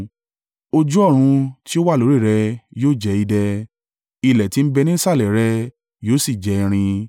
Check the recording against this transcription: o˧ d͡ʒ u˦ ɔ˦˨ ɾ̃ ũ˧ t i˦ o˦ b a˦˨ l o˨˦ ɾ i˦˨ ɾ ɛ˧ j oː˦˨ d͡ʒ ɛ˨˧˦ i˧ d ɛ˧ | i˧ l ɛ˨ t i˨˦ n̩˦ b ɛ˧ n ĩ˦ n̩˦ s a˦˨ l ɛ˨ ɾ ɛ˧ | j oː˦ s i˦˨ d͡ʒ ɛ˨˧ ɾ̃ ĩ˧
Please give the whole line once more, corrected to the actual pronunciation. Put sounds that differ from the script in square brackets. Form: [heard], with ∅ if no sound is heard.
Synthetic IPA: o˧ d͡ʒ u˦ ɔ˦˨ ɾ̃ ũ˧ t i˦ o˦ [w] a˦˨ l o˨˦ ɾ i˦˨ ɾ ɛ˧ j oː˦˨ d͡ʒ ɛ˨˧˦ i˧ d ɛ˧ | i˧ l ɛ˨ t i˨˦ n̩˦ b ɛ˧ n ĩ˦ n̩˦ s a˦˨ l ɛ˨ ɾ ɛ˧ | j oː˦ s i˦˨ d͡ʒ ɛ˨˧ ɾ̃ ĩ˧